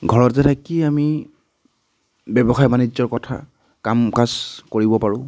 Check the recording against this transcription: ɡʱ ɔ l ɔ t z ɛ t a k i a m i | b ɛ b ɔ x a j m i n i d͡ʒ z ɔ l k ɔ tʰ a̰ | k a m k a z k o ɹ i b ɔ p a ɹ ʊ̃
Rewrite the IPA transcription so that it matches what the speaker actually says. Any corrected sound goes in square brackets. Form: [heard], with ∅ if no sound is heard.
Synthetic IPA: ɡʱ ɔ [ɹ] ɔ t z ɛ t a k i a m i | b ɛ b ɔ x a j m [a] n i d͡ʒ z ɔ [ɹ] k ɔ tʰ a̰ | k a m k a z k o ɹ i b ɔ p a ɹ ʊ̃